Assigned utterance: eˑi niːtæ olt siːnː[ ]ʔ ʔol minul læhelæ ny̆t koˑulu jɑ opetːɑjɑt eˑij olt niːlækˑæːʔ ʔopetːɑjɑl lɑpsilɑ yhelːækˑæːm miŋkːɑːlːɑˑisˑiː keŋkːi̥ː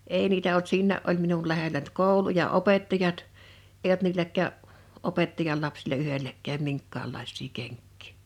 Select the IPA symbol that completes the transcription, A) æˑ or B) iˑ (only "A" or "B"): A